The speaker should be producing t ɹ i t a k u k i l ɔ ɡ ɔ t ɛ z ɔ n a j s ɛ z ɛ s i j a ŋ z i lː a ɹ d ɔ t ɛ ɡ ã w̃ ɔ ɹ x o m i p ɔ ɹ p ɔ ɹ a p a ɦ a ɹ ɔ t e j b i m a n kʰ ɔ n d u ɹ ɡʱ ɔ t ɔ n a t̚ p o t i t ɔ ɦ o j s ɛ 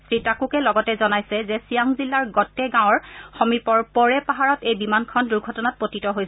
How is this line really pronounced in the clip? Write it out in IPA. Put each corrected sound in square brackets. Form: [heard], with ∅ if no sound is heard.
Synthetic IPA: [s] ɹ i t a k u k [ɛ] l ɔ ɡ ɔ t ɛ z ɔ n a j s ɛ z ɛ s i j a ŋ z i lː a ɹ [ɡ] ɔ t ɛ ɡ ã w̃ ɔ ɹ x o m i p ɔ ɹ p ɔ ɹ [ɛ] p a ɦ a ɹ ɔ t e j b i m a n kʰ ɔ n d u ɹ ɡʱ ɔ t ɔ n a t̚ p o t i t ɔ ɦ o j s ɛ